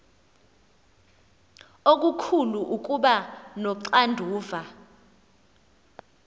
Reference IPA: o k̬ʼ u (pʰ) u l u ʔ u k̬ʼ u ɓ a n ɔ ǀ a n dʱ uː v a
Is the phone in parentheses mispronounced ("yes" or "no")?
yes